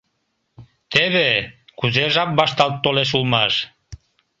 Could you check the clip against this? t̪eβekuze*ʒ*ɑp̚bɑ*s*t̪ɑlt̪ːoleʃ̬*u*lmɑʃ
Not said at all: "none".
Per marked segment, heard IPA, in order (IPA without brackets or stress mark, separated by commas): ʒ, ʃ, u